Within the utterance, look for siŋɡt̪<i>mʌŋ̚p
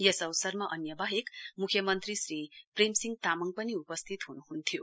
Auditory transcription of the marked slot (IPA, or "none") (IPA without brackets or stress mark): a